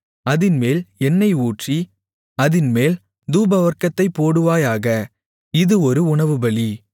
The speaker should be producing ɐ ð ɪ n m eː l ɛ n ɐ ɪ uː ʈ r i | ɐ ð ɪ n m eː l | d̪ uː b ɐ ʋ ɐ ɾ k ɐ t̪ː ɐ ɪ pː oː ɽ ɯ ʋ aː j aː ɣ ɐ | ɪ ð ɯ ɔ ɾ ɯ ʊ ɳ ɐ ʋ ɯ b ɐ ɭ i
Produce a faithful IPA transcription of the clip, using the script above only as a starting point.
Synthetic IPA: ɐ ð ɪ n m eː l ɛ nː ɐ ɪ uː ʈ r i | ɐ ð ɪ n m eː l | d̪ uː b ɐ ʋ ɐ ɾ k ɐ t̪ː ɐ ɪ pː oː ɽ ɯ ʋ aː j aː ɣ ɐ | ɪ ð ɯ ɔ ɾ ɯ ʊ ɳ ɐ ʋ ɯ b ɐ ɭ i